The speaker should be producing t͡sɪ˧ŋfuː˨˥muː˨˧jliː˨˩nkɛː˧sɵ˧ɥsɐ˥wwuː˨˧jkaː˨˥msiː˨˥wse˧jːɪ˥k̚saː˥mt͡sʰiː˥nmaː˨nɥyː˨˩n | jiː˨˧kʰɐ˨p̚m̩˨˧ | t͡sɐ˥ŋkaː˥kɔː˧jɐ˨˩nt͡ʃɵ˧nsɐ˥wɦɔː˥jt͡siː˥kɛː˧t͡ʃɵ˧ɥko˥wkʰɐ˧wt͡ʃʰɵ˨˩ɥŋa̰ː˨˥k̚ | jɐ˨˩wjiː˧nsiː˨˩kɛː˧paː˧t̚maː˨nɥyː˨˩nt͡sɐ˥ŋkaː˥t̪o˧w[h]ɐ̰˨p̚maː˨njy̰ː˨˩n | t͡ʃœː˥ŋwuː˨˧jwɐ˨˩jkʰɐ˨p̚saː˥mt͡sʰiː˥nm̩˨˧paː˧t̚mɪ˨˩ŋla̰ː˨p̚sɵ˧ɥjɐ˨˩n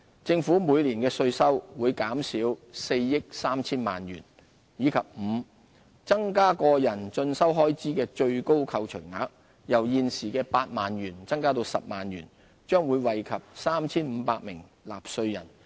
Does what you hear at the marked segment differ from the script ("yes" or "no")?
yes